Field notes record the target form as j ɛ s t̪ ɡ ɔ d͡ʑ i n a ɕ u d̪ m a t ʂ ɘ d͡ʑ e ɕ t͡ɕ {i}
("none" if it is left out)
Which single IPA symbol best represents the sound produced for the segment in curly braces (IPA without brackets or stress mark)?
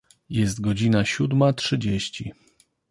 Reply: i